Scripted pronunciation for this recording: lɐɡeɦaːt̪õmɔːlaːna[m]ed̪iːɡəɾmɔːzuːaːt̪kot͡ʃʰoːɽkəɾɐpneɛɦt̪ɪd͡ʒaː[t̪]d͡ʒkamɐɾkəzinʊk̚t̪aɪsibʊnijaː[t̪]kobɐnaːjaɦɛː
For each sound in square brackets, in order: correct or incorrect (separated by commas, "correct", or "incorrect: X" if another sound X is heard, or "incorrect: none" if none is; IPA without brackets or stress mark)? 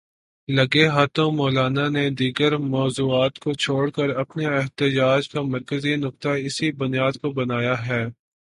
incorrect: n, incorrect: none, incorrect: d̪